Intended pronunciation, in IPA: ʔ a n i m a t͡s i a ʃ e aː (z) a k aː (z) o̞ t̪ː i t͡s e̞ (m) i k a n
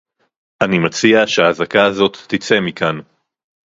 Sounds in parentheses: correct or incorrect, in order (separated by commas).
correct, correct, correct